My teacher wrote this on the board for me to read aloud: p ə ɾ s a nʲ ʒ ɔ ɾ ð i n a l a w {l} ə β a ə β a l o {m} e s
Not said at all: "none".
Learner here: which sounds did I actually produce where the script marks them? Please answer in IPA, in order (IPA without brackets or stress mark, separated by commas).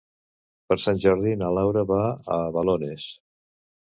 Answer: ɾ, n